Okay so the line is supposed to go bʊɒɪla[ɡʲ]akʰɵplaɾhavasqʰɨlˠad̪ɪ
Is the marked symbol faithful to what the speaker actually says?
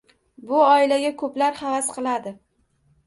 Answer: yes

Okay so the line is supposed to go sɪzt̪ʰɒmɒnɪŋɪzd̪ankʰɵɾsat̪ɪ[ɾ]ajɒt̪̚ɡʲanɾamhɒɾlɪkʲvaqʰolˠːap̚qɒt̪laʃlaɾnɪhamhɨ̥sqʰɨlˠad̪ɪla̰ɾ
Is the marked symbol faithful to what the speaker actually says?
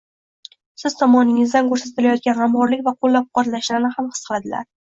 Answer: no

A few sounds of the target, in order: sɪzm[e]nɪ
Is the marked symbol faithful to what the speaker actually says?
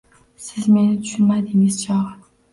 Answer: yes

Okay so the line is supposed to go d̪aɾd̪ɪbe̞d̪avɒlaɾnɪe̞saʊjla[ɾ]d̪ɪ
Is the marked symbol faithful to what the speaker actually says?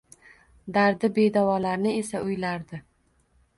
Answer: yes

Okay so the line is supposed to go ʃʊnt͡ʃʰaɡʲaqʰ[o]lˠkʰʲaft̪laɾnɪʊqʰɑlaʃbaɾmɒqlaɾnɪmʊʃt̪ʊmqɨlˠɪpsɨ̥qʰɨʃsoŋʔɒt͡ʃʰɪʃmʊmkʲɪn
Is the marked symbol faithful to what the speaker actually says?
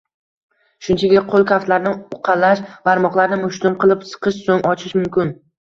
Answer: yes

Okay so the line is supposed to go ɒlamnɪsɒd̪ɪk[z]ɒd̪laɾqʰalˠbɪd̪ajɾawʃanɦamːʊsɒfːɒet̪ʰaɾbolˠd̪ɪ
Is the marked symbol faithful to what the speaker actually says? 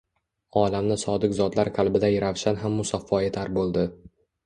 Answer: yes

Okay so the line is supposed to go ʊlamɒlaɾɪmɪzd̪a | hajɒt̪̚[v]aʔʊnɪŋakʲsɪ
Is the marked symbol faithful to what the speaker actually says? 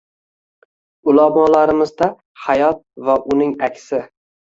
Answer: yes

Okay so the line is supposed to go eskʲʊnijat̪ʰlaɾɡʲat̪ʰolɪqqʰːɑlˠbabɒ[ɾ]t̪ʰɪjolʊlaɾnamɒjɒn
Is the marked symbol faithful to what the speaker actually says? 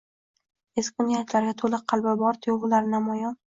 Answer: yes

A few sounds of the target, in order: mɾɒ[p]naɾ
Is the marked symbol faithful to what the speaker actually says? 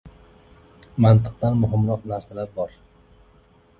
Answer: no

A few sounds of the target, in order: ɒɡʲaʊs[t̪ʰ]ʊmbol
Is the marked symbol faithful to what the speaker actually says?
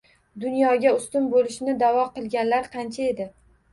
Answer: no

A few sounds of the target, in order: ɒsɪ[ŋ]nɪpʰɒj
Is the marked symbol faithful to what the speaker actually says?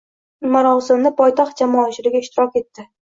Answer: no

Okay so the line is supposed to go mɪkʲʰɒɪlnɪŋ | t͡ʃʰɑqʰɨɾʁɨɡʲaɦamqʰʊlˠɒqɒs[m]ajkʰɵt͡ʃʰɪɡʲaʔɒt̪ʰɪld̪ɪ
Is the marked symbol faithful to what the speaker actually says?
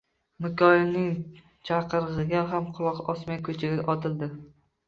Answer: yes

